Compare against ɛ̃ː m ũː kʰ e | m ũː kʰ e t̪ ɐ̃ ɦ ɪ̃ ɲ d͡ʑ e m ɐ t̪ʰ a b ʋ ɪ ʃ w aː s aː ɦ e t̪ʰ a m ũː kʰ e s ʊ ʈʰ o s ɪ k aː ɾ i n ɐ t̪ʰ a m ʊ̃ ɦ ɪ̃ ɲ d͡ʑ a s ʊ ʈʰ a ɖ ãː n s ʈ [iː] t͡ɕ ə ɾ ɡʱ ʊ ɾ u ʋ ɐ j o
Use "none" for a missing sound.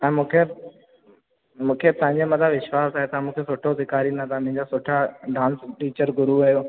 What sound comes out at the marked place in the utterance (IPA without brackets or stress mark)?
iː